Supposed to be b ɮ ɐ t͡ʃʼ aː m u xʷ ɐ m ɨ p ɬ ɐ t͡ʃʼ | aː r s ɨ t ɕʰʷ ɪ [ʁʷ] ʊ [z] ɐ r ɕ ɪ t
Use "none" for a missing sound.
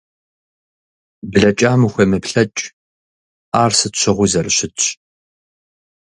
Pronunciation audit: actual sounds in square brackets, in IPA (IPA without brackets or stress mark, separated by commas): ʁʷ, z